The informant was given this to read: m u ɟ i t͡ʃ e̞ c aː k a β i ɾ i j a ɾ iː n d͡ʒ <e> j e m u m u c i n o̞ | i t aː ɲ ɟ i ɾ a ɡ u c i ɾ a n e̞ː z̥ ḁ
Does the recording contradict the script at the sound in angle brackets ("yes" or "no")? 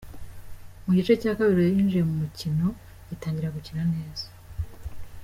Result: yes